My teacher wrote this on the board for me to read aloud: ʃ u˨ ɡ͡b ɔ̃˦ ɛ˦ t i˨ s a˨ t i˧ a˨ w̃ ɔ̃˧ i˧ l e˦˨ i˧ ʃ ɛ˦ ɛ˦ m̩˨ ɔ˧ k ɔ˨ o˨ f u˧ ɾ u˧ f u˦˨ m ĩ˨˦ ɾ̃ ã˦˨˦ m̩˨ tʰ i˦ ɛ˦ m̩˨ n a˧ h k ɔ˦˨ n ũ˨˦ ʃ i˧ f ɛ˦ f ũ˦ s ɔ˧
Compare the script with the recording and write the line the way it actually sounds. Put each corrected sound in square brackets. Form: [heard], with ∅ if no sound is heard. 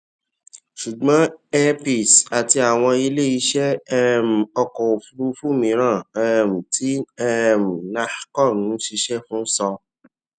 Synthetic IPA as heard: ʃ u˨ ɡ͡b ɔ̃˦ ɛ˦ [p] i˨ s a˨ t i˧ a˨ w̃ ɔ̃˧ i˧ l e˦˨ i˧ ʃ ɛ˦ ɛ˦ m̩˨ ɔ˧ k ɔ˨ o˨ f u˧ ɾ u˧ f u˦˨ m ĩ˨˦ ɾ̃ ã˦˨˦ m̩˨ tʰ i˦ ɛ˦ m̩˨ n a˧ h k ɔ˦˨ n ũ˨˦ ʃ i˧ [ʃ] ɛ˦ f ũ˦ s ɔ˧